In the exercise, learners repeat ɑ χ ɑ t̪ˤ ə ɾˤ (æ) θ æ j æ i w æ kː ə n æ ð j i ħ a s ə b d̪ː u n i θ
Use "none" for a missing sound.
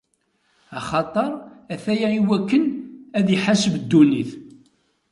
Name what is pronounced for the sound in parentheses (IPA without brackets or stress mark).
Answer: æ